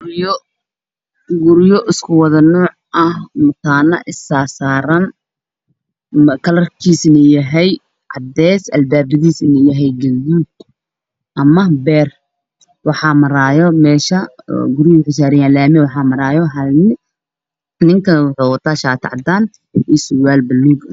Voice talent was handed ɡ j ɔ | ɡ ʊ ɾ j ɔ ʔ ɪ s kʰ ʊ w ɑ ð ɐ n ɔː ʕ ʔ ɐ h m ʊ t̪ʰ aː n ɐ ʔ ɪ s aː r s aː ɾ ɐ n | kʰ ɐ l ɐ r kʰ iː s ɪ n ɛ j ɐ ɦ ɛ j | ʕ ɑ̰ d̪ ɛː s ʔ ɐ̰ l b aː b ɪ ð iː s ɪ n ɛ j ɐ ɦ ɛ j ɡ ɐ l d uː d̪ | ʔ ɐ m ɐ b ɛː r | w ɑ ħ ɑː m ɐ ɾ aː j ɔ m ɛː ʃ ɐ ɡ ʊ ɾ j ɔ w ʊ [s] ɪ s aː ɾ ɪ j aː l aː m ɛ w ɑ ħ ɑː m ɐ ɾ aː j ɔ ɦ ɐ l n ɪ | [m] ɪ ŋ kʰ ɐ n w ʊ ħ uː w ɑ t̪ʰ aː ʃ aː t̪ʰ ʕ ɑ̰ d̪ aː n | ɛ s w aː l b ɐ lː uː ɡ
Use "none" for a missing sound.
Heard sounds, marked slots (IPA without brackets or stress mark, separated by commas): ħ, n